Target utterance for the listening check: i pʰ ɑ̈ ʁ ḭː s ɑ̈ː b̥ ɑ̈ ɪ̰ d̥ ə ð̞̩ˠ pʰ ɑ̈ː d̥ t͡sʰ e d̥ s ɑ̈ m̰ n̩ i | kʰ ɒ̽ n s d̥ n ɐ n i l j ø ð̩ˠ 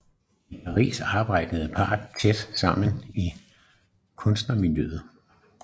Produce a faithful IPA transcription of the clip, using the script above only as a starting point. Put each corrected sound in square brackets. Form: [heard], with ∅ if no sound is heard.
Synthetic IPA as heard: i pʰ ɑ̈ ʁ ḭː s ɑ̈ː b̥ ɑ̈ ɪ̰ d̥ ə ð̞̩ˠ pʰ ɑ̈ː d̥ t͡sʰ e d̥ s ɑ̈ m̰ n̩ i | kʰ [ɔ̽] n s d̥ n ɐ [m] i l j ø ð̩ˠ